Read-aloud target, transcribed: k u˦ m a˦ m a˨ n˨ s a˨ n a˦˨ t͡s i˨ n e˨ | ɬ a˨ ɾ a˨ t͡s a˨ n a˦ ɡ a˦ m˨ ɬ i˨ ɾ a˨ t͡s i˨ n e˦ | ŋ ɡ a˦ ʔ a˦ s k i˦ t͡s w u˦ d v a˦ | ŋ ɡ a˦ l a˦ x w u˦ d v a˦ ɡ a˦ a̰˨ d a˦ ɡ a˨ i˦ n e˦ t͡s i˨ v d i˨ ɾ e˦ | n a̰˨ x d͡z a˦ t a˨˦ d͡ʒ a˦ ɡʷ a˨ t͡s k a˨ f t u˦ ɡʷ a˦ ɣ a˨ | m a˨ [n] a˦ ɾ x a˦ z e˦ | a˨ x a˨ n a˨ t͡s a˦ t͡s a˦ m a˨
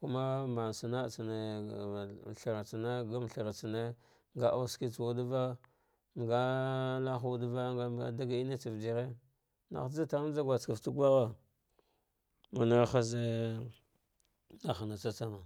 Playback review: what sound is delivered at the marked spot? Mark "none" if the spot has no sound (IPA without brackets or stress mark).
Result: n